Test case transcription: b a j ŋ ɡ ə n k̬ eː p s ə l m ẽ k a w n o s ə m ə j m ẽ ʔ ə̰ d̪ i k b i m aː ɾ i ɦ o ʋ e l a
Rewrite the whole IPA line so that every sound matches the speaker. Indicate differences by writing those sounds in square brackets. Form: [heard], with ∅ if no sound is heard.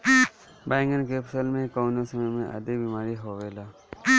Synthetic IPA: b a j ŋ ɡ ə n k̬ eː p s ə l m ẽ k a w n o s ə m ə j m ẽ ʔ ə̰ d̪ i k b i m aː ɾ i ɦ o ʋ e l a